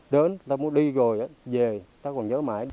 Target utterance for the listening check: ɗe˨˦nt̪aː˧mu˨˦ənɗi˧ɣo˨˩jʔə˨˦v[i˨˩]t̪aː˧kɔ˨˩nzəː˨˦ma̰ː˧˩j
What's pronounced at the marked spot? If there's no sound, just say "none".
e˨˩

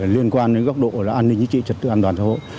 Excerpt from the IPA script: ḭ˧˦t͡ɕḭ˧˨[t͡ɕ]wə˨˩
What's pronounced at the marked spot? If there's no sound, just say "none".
t͡ɕ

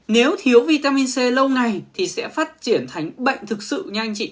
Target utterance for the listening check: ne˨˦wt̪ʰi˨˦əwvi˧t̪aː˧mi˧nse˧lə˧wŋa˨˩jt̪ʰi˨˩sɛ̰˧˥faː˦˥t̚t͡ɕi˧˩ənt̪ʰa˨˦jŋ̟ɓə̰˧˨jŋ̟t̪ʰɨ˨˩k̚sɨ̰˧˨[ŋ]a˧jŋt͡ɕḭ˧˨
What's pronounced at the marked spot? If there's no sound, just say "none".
ɲ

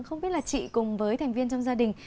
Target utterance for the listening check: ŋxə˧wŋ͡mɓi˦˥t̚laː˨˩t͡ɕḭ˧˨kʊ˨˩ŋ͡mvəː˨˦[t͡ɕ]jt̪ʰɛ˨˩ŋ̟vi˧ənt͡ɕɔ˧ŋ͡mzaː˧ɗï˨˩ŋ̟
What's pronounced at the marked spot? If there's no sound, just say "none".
none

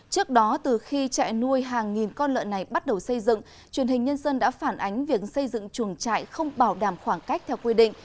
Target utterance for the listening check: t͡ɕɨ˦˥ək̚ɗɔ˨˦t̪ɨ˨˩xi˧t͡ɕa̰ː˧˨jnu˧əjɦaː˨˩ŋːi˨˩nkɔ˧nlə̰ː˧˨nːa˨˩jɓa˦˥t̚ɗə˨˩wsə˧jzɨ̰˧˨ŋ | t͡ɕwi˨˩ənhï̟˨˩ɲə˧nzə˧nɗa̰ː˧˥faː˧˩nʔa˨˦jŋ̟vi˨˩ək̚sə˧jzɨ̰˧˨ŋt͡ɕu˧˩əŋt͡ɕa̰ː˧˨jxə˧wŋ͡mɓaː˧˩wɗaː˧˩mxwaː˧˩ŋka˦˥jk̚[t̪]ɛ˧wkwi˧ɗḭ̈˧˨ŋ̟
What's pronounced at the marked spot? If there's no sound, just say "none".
t̪ʰ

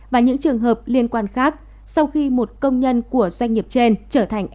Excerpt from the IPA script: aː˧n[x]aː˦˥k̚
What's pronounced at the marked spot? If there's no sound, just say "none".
x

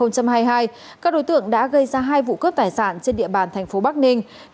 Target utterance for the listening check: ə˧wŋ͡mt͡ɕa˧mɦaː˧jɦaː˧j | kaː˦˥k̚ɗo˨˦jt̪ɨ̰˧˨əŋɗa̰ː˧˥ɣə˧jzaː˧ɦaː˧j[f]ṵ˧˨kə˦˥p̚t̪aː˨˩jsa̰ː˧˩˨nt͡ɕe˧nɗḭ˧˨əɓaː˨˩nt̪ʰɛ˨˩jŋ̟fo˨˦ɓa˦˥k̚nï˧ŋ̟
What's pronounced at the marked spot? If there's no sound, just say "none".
v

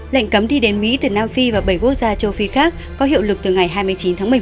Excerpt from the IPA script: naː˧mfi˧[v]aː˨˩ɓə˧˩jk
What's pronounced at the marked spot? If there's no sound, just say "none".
v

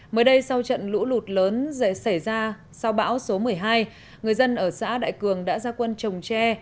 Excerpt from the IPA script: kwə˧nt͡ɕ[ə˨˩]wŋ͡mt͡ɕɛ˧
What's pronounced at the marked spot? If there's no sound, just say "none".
ə˨˩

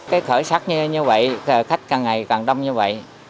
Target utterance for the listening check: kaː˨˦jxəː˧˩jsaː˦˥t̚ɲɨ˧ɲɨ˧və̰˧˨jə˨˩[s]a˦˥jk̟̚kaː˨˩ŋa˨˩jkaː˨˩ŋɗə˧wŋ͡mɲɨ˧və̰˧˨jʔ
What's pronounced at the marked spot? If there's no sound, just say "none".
x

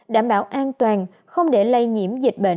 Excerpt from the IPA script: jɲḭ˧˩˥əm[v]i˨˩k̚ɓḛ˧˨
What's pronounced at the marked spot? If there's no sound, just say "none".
z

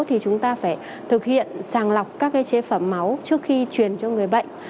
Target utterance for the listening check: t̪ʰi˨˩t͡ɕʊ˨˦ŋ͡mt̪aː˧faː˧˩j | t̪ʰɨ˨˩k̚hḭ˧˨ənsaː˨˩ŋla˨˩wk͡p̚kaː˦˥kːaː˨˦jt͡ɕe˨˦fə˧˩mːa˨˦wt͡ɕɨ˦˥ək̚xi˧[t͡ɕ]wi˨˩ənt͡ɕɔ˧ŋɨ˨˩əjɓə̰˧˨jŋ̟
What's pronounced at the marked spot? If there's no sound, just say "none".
t͡ɕ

